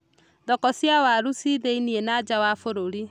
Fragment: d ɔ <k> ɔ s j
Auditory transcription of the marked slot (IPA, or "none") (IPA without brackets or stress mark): k